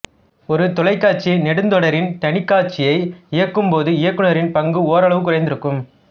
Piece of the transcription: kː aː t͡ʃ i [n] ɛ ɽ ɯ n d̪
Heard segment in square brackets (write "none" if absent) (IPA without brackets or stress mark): n